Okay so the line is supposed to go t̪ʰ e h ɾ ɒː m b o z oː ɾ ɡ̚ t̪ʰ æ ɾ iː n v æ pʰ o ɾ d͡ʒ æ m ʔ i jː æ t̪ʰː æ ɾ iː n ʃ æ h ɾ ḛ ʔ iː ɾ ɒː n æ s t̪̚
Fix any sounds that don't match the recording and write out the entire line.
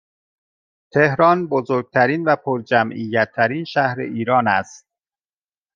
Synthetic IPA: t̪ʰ e h ɾ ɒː n b o z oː ɾ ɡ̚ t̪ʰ æ ɾ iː n v æ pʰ o ɾ d͡ʒ æ m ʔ i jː æ t̪ʰː æ ɾ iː n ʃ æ h ɾ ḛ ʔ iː ɾ ɒː n æ s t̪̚